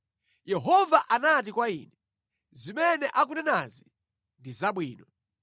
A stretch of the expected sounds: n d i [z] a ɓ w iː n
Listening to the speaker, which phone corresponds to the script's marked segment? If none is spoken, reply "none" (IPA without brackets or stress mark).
z